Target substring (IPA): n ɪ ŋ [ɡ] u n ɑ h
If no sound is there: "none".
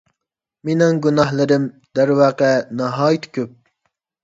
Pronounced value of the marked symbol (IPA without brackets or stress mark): ɡ